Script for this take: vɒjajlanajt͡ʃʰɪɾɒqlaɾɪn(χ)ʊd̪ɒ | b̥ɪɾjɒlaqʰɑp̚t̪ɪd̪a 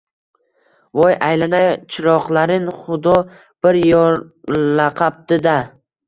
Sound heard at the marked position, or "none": χ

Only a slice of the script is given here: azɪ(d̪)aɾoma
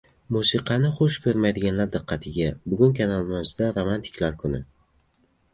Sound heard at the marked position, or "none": d̪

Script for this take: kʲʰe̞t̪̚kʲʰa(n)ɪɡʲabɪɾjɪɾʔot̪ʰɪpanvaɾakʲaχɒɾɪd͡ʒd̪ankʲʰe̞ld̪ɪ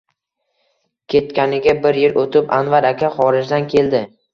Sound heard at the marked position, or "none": n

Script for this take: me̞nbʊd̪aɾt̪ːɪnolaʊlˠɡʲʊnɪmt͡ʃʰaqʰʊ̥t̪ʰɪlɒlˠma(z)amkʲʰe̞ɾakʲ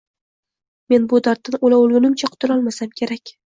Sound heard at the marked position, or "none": s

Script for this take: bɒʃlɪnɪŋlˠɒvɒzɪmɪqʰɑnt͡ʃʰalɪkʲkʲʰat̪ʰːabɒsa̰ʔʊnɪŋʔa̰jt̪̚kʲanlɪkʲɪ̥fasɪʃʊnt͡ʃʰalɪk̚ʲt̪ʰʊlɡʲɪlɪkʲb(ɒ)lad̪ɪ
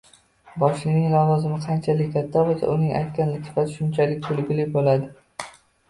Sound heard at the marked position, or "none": o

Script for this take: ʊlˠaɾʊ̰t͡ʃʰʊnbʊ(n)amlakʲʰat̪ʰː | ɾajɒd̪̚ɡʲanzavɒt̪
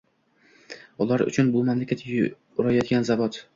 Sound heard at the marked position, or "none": m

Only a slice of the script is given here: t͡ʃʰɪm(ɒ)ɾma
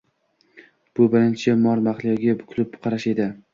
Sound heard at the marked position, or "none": ɒ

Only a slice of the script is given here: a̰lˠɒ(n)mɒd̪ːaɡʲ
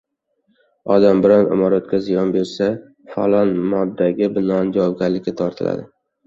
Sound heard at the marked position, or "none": n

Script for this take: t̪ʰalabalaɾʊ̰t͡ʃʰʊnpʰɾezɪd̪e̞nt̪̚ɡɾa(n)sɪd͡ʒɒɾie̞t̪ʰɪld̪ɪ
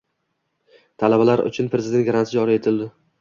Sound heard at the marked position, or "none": n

